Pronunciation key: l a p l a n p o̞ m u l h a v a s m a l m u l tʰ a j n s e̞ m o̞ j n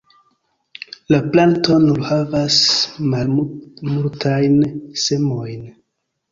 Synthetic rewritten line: l a p l a n t o̞ n u l h a v a s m a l m u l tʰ a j n s e̞ m o̞ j n